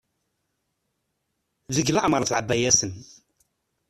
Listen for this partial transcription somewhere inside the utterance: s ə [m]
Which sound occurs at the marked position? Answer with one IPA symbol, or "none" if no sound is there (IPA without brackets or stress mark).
n